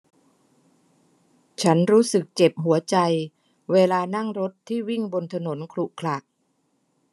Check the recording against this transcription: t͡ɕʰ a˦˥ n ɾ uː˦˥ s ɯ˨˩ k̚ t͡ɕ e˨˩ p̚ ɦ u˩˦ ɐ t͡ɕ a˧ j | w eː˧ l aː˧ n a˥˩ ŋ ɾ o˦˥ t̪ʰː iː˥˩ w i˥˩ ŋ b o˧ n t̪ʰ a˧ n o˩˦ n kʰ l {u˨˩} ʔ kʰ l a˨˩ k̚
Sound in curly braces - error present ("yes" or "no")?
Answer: no